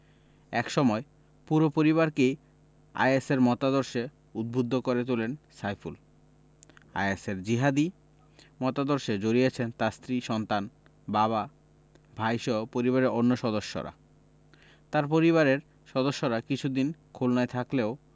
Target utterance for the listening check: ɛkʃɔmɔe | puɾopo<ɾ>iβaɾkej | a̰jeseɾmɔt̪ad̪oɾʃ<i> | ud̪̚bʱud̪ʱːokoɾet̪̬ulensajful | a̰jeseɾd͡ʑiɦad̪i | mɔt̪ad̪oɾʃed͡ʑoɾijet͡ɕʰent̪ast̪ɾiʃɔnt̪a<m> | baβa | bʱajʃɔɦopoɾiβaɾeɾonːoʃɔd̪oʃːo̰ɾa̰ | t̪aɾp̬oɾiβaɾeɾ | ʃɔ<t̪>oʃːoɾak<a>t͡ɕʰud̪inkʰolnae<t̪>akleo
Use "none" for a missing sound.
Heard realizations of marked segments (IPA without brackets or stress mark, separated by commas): ɾ, e, n, d̪, i, t̪ʰ